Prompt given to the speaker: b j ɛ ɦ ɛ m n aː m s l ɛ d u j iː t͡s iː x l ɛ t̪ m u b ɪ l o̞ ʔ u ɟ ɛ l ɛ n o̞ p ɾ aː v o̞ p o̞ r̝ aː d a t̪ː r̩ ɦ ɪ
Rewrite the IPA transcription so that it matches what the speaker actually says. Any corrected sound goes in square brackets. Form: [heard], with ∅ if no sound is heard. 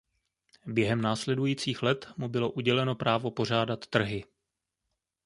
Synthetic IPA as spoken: b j ɛ ɦ ɛ m n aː [∅] s l ɛ d u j iː t͡s iː x l ɛ t̪ m u b ɪ l o̞ ʔ u ɟ ɛ l ɛ n o̞ p ɾ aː v o̞ p o̞ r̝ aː d a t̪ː r̩ ɦ ɪ